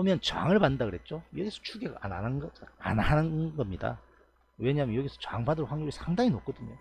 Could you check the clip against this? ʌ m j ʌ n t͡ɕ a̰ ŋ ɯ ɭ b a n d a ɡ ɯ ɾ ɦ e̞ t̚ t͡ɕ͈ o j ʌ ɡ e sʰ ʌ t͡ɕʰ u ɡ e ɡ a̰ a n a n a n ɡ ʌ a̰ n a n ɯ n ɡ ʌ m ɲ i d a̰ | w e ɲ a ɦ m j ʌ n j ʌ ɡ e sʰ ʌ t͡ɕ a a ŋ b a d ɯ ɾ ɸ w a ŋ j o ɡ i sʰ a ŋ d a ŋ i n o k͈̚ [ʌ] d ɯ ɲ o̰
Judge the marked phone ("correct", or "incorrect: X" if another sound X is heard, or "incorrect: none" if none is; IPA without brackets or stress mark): correct